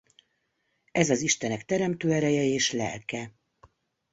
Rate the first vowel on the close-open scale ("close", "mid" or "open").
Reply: mid